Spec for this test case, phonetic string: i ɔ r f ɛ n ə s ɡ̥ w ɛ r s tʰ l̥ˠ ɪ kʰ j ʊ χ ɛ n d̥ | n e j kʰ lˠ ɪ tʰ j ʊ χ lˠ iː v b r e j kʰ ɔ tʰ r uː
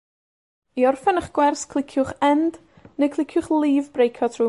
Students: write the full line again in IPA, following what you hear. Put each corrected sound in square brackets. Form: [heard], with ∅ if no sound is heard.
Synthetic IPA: i ɔ r f ɛ n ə [χ] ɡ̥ w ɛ r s [kʰ] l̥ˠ ɪ kʰ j ʊ χ ɛ n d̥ | n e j kʰ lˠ ɪ [kʰ] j ʊ χ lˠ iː v b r e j kʰ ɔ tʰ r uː